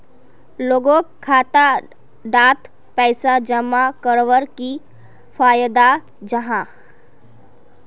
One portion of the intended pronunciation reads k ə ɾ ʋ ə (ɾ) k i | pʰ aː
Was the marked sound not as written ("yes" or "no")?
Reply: no